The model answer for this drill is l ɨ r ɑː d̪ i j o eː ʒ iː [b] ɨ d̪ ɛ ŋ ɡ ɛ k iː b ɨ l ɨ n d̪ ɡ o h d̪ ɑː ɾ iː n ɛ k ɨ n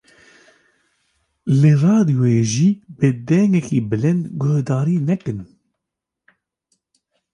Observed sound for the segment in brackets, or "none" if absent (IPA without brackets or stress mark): b